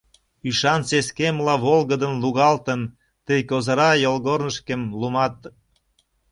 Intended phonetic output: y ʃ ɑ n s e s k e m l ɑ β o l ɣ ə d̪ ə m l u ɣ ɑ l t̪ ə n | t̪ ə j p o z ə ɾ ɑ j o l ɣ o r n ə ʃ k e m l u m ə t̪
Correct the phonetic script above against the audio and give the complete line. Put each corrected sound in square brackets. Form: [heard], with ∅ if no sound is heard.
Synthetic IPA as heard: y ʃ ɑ n s e s k e m l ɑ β o l ɣ ə d̪ ə [n] l u ɣ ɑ l t̪ ə n | t̪ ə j [k] o z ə ɾ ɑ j o l ɣ o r n ə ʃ k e m l u m [ɑ] t̪